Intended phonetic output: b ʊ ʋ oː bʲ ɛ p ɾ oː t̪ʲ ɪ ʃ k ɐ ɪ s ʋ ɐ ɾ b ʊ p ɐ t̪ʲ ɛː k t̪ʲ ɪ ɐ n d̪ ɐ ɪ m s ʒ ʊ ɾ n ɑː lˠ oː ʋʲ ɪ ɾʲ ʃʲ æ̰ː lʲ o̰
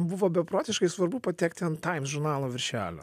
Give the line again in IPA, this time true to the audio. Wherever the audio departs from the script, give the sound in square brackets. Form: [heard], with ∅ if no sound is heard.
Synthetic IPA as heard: b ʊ ʋ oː bʲ ɛ p ɾ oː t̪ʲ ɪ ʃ k ɐ ɪ s ʋ ɐ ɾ b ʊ p ɐ t̪ʲ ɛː k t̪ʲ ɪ ɐ n [t̪] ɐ ɪ m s ʒ ʊ ɾ n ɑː lˠ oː ʋʲ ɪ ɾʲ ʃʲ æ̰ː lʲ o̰